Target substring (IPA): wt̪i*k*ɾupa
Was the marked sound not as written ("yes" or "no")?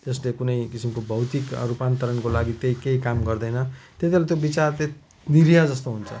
no